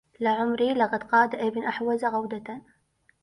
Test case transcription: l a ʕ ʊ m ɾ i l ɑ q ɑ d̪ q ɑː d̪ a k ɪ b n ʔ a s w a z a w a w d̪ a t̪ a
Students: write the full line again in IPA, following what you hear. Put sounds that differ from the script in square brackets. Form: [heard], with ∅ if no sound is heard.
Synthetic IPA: l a ʕ ʊ m ɾ i l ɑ q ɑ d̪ q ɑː d̪ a [ʔ] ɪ b n ʔ a [ħ] w a z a [ɣ] a w d̪ a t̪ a